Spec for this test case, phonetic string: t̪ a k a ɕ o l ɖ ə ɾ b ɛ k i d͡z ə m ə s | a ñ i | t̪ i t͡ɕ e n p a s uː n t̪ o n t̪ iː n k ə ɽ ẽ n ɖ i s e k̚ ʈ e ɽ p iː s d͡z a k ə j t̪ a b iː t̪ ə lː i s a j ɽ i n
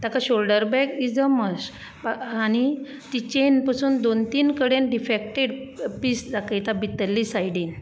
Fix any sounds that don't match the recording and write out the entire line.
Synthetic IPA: t̪ a k a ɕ o l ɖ ə ɾ b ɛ k i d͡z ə m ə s | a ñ i | t̪ i t͡ɕ e n p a s uː n d̪ o n t̪ iː n k ə ɽ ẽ n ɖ i f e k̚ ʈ e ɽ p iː s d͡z a k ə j t̪ a b i t̪ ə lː i s a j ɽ i n

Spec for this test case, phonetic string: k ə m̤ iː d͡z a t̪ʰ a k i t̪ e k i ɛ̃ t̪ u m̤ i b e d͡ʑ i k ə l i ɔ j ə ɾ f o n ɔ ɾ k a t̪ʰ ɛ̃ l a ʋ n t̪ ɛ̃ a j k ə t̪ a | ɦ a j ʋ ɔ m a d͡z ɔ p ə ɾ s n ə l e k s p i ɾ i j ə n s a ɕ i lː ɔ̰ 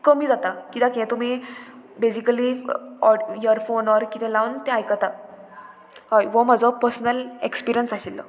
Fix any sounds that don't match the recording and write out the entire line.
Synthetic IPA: k ə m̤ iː d͡z a t̪ a k i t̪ a k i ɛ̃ t̪ u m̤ i b e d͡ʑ i k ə l i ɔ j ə ɾ f o n ɔ ɾ k i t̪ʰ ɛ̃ l a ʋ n t̪ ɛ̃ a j k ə t̪ a | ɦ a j ʋ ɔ m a d͡z ɔ p ə ɾ s n ə l e k s p i ɾ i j ə n s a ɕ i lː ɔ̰

